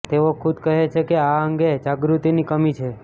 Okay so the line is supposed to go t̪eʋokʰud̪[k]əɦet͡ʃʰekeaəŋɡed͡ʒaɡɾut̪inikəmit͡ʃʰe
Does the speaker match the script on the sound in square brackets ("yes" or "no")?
yes